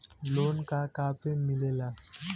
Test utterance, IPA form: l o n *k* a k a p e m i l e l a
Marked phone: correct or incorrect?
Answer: correct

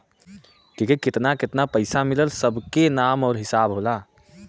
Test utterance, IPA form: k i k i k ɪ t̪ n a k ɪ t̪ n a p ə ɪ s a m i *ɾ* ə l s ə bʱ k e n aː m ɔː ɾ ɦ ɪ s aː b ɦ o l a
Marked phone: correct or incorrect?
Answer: incorrect: l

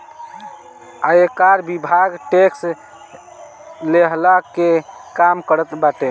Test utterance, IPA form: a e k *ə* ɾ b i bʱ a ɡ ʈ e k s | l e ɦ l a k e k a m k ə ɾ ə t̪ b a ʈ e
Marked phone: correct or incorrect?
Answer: incorrect: a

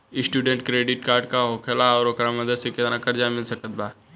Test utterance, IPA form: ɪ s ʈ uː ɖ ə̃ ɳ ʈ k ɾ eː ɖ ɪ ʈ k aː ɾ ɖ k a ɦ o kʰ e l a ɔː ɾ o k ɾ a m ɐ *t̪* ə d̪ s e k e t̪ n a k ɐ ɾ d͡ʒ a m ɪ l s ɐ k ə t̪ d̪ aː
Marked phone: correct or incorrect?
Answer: incorrect: d̪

